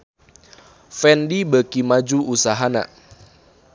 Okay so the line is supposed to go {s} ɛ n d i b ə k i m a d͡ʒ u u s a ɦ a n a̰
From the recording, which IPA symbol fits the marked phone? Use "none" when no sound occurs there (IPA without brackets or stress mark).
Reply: f